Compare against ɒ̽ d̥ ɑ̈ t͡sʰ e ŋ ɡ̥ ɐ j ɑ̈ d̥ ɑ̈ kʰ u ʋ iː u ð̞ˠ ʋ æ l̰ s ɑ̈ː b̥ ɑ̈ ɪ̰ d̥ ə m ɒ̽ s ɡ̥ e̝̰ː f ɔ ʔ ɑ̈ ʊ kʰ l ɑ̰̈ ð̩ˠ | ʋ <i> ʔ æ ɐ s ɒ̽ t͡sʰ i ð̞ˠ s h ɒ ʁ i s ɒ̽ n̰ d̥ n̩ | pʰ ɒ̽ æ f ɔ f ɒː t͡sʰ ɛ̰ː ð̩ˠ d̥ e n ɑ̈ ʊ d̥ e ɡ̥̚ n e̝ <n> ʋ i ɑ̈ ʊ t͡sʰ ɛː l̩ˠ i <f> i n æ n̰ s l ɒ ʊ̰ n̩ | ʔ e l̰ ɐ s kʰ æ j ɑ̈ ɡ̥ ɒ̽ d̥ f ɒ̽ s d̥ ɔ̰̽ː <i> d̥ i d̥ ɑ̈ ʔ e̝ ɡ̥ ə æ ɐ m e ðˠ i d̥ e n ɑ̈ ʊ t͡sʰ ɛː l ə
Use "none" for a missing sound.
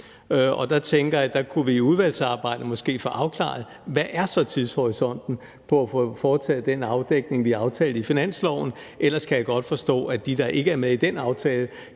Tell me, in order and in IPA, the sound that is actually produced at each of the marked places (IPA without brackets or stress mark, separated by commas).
æ, ŋ, f, æ